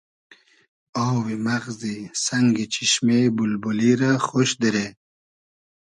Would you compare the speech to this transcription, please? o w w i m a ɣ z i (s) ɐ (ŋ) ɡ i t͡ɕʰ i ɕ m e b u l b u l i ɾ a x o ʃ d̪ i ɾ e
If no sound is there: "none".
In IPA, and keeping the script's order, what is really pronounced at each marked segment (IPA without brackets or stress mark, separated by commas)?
s, ŋ